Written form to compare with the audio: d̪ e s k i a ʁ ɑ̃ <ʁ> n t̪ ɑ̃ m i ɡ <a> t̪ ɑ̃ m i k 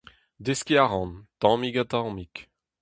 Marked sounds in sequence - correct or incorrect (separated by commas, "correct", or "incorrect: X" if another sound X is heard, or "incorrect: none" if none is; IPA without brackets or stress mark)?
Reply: incorrect: none, correct